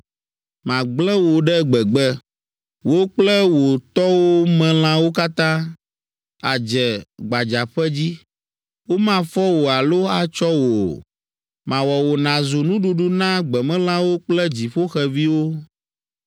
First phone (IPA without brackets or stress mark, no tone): m